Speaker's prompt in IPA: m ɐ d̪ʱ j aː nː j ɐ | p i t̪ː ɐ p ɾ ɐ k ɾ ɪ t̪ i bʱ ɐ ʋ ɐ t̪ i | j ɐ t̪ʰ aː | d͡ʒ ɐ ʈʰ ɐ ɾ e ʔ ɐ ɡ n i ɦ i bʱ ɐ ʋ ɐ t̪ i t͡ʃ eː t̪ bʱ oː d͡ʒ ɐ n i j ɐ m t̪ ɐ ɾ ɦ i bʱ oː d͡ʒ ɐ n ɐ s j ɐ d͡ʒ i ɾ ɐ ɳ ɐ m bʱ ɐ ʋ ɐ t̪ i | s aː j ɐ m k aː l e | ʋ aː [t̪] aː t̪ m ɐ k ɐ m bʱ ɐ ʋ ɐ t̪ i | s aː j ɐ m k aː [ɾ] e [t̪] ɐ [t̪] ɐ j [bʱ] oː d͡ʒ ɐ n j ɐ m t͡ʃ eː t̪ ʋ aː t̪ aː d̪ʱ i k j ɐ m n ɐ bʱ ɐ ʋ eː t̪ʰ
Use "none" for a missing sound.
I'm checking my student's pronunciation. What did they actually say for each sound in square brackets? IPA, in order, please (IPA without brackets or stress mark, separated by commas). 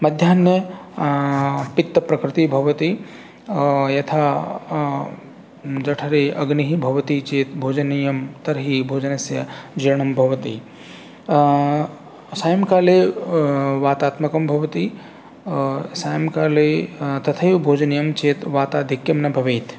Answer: t̪, l, t̪, t̪ʰ, bʱ